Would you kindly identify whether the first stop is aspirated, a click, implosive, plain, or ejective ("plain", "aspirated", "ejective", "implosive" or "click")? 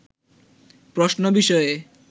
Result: plain